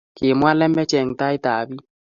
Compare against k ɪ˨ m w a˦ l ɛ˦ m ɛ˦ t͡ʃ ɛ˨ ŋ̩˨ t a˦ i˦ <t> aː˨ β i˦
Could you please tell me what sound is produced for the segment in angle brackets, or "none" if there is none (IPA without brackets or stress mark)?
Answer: t